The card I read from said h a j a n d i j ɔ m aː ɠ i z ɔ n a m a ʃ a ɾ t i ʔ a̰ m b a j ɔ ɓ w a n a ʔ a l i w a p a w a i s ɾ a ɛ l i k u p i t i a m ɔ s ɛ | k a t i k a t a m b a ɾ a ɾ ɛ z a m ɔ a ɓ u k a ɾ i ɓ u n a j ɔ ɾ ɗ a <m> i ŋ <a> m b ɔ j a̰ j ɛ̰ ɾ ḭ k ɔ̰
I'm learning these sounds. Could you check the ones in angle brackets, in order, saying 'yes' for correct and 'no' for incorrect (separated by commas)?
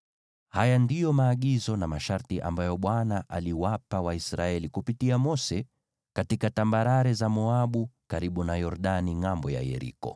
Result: no, yes